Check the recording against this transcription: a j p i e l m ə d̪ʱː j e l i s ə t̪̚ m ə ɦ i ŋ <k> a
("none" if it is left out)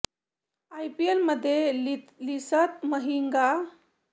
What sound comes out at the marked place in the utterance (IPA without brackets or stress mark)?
ɡ